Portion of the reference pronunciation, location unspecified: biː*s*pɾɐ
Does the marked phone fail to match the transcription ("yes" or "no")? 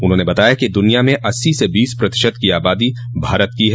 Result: no